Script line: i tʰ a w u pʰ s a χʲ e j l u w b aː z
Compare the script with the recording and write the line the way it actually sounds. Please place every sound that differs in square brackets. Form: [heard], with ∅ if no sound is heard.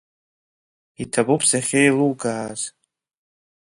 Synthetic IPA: i tʰ a [b] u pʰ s a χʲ e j l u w [ɡ] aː z